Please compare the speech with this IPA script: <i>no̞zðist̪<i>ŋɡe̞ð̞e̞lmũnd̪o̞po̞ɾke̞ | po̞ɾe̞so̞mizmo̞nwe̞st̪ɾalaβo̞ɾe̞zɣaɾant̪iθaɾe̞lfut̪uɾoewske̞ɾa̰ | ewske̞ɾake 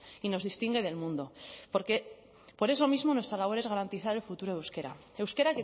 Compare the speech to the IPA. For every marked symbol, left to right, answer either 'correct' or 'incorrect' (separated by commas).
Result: correct, correct